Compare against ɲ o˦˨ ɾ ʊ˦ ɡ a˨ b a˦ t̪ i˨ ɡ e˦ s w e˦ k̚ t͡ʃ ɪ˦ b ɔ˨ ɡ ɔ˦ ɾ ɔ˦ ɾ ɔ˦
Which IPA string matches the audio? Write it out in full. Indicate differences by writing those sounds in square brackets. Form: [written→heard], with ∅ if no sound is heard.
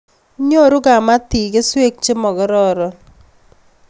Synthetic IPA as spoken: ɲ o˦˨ ɾ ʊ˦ ɡ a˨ [b→m] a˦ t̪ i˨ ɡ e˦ s w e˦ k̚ t͡ʃ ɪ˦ [b→m] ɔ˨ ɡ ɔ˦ ɾ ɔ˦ ɾ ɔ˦